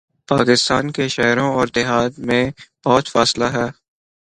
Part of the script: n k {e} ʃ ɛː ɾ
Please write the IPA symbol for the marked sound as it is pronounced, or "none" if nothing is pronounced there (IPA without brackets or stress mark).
e